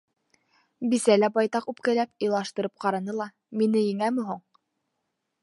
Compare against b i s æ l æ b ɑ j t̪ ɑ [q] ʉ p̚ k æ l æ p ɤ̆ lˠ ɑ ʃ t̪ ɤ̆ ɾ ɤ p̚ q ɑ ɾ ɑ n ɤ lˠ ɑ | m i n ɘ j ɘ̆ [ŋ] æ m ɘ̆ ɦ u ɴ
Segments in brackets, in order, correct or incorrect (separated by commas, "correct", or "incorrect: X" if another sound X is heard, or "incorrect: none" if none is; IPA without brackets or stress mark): correct, correct